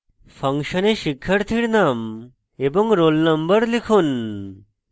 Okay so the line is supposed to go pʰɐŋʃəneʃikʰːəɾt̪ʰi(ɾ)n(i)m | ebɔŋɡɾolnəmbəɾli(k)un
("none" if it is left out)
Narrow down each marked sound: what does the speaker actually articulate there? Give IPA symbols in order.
ɽ, a, kʰ

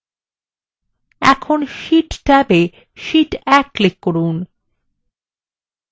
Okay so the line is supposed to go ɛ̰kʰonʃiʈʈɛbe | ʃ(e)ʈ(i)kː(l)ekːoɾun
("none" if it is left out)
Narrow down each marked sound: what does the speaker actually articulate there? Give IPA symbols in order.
i, ɛ, l

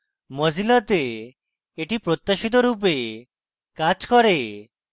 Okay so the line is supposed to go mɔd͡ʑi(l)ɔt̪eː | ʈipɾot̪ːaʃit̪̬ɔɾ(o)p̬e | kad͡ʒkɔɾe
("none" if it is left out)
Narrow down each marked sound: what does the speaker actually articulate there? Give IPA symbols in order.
l, u

